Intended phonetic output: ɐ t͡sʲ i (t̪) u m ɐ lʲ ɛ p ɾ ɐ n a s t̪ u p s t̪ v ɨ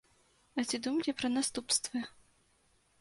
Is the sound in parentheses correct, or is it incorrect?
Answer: incorrect